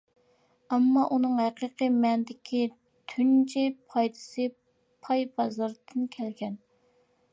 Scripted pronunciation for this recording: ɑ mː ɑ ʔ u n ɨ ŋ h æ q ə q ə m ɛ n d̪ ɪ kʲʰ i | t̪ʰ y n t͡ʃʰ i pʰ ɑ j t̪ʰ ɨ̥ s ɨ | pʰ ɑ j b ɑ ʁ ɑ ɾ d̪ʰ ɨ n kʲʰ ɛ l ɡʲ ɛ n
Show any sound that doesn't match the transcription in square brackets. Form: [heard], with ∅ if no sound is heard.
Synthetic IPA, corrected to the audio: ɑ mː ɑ ʔ u n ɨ ŋ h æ q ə q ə m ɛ n d̪ ɪ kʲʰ i | t̪ʰ y n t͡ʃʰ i pʰ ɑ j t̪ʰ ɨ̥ s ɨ | pʰ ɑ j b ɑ [z] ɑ ɾ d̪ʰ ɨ n kʲʰ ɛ l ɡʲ ɛ n